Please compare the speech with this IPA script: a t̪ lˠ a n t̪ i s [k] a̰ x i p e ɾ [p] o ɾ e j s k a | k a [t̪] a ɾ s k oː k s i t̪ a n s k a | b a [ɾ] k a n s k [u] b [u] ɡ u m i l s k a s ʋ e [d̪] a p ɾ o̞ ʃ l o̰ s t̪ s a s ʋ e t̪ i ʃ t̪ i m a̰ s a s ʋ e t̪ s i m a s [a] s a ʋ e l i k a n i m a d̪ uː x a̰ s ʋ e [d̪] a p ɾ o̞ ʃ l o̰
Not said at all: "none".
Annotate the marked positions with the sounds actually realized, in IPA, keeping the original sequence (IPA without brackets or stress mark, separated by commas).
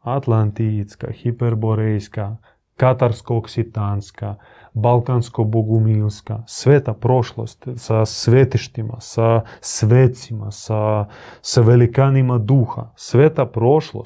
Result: k, b, t̪, l, o, o, t̪, a, t̪